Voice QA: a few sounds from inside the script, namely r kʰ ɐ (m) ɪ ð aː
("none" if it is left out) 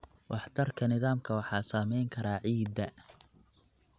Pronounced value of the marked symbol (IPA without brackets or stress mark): n